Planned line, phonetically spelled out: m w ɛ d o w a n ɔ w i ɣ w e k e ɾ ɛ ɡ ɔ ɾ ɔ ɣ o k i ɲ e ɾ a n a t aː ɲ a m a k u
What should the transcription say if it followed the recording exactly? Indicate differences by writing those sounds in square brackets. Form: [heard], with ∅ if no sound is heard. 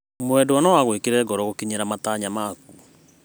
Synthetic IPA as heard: m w ɛ d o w a n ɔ w [a] ɣ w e k e ɾ ɛ ɡ ɔ ɾ ɔ ɣ o k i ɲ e ɾ a [m] a t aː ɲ a m a k u